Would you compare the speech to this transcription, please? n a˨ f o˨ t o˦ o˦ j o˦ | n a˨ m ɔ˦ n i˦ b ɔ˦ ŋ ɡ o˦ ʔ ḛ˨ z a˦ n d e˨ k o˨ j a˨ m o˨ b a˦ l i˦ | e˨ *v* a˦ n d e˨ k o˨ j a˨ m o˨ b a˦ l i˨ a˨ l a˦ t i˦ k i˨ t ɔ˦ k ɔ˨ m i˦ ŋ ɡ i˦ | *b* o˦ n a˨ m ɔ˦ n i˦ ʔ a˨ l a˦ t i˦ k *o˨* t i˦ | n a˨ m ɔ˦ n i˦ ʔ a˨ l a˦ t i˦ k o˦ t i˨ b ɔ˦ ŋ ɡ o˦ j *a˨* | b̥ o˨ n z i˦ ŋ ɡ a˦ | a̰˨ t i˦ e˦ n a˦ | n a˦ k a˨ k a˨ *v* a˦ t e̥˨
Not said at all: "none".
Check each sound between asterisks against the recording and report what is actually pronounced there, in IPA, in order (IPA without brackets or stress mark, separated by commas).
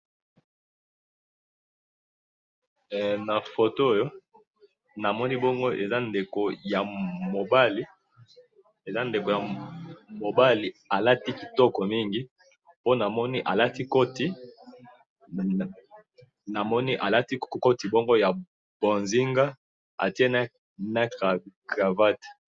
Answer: z, p, o˦, a˨, v